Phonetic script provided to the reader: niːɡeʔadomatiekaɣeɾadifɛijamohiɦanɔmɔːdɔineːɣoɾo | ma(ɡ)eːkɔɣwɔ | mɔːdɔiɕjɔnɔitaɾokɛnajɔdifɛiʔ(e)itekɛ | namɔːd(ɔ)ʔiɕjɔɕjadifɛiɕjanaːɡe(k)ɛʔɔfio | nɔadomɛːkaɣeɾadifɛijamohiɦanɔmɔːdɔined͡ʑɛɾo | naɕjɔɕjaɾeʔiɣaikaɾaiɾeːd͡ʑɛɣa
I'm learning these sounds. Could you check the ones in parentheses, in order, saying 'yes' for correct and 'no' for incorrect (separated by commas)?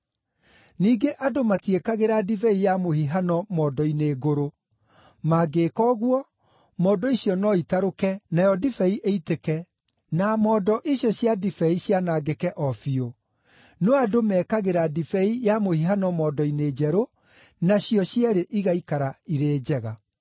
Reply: yes, yes, yes, yes